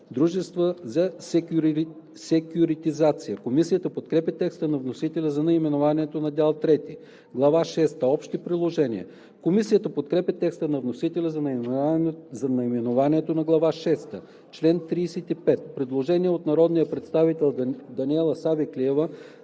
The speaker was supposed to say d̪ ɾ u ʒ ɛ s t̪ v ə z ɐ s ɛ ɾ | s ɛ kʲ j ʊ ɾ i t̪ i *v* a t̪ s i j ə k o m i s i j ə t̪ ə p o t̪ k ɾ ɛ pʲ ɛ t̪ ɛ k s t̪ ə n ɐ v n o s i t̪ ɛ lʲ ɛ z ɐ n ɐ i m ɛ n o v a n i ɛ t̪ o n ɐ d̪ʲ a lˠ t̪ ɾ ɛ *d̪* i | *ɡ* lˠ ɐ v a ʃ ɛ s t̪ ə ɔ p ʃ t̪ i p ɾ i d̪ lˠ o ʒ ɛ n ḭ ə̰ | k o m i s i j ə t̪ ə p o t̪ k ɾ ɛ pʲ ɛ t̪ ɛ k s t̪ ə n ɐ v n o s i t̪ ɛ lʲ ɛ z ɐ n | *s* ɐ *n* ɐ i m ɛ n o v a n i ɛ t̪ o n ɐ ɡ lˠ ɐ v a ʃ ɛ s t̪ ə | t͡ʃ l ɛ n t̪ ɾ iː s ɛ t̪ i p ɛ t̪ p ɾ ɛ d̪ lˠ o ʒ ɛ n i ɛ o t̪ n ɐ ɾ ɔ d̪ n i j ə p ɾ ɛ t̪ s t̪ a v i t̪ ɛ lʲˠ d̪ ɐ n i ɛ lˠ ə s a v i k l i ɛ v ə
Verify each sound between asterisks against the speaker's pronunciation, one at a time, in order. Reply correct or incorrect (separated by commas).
incorrect, incorrect, correct, incorrect, correct